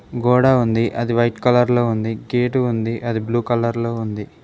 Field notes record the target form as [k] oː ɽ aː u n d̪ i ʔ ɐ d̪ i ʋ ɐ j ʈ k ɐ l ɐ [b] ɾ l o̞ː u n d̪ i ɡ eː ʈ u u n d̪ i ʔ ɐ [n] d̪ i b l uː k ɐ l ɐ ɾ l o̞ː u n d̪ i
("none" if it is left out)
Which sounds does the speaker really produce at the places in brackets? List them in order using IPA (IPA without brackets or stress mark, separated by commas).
ɡ, none, none